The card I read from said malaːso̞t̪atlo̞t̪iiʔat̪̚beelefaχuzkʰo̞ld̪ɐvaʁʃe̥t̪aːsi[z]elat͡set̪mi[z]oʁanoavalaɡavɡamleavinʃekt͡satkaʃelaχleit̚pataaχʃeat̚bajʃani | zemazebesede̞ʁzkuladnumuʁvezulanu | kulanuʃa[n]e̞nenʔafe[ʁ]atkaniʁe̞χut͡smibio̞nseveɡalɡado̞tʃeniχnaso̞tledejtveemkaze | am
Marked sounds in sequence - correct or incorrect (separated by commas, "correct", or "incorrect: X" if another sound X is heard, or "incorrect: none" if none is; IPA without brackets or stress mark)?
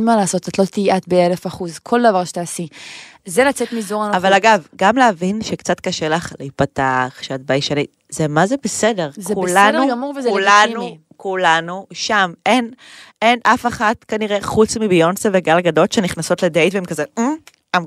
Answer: correct, correct, incorrect: m, incorrect: χ